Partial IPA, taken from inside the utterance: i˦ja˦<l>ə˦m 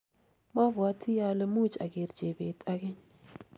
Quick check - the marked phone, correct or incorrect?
correct